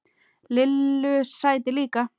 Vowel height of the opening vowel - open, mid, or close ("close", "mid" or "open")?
close